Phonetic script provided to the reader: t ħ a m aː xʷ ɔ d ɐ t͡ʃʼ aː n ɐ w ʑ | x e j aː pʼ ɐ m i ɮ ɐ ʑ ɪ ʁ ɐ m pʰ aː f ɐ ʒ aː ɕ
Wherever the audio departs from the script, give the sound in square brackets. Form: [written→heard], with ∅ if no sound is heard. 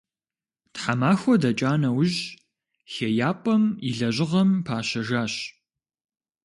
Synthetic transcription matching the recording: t ħ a m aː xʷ ɔ d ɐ t͡ʃʼ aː n ɐ w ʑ | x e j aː pʼ ɐ m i ɮ ɐ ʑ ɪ ʁ ɐ m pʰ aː [f→ɕ] ɐ ʒ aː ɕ